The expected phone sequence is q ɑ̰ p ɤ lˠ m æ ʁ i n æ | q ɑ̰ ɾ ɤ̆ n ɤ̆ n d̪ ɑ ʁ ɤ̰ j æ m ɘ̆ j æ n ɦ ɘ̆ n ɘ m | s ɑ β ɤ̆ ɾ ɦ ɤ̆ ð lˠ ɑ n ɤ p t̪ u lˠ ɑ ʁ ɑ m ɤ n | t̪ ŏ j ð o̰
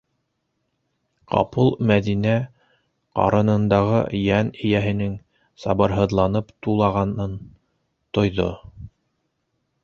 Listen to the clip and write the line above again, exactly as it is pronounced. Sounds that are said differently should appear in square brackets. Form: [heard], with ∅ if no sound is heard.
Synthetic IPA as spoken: q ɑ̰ p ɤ lˠ m æ [ð] i n æ | q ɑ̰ ɾ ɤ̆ n ɤ̆ n d̪ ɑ ʁ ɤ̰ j æ [n] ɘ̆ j æ [∅] ɦ ɘ̆ n ɘ [ŋ] | s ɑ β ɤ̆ ɾ ɦ ɤ̆ ð lˠ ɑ n ɤ p t̪ u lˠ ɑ ʁ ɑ [n] ɤ n | t̪ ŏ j ð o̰